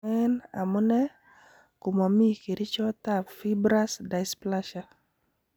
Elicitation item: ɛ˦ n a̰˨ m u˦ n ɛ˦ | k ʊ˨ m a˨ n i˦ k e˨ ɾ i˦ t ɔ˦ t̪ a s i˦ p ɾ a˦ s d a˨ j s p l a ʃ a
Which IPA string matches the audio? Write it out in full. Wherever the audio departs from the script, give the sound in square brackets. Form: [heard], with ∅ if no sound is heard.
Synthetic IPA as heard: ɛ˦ n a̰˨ m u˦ n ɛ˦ | k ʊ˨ m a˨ [m] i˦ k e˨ ɾ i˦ [t͡ʃ] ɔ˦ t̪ a [f] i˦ [b] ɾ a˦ s d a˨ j s p l a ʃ a